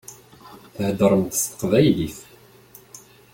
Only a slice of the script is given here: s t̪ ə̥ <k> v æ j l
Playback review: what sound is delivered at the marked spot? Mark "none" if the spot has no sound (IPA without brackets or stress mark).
q